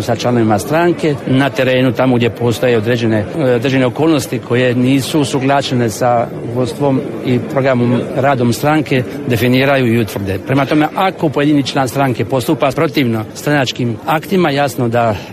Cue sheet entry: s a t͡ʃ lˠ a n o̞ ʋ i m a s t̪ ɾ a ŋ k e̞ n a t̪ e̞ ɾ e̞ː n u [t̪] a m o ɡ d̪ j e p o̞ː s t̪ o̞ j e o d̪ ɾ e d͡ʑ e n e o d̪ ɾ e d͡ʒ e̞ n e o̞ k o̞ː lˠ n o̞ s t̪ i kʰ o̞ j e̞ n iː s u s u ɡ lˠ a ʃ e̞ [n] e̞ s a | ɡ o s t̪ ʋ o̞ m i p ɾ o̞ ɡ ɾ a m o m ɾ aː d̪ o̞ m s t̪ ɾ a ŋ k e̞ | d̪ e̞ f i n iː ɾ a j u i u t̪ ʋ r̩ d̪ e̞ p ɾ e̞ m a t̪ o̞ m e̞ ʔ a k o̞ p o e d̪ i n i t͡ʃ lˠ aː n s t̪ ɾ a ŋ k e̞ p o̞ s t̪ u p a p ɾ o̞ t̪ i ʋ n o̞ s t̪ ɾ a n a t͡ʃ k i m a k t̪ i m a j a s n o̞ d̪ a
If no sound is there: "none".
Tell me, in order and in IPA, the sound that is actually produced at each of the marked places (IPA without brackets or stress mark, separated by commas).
t̪, n